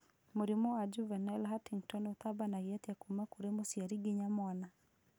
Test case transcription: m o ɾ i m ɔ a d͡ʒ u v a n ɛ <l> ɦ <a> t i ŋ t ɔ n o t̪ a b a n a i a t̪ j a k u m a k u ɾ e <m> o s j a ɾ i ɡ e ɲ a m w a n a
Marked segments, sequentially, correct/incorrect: correct, correct, correct

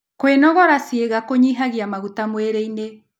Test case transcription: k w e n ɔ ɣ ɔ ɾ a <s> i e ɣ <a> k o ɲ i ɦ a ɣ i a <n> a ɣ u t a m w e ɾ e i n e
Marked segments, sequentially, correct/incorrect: correct, correct, incorrect

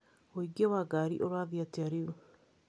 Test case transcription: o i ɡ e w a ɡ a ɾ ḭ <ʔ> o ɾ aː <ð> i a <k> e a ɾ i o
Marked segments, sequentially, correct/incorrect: correct, correct, incorrect

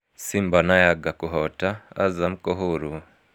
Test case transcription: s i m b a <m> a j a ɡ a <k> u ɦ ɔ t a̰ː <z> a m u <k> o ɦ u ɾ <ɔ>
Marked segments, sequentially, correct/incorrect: incorrect, correct, correct, correct, incorrect

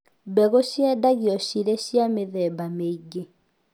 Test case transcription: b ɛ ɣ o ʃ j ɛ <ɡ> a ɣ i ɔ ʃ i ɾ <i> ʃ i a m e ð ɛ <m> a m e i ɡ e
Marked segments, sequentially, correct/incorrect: incorrect, incorrect, incorrect

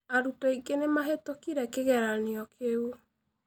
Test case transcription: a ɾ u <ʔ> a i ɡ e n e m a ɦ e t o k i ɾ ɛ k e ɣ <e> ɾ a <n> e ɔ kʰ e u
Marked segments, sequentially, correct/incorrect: incorrect, incorrect, correct

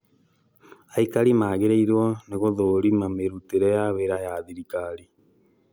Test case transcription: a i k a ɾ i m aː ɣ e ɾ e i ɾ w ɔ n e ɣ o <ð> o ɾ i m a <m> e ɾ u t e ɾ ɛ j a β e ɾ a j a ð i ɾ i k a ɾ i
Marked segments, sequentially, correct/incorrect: correct, correct

